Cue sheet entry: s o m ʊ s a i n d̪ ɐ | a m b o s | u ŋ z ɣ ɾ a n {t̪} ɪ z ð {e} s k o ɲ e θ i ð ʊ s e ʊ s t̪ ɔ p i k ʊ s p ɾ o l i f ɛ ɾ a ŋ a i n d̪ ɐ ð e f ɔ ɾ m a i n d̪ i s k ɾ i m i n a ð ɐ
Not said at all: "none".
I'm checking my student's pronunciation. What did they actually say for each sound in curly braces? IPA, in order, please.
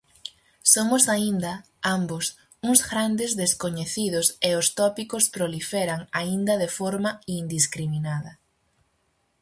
d̪, e

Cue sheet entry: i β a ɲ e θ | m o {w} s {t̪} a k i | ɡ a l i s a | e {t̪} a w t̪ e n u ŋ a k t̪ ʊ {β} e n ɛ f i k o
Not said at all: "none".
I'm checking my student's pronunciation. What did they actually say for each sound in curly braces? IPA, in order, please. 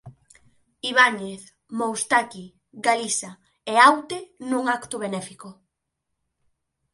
w, t̪, none, β

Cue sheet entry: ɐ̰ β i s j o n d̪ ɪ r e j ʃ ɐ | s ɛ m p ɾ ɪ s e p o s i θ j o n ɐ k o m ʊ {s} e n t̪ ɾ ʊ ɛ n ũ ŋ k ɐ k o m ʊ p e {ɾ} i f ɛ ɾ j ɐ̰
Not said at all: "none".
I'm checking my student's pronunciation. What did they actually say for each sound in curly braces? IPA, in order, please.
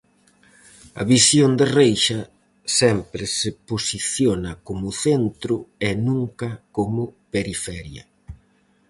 θ, ɾ

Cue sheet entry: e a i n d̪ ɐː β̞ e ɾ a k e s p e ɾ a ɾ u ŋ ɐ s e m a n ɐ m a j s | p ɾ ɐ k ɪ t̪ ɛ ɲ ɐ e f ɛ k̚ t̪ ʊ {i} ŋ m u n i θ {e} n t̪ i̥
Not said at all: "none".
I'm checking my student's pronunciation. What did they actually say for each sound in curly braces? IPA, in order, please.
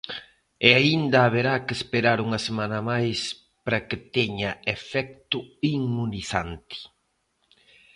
i, a

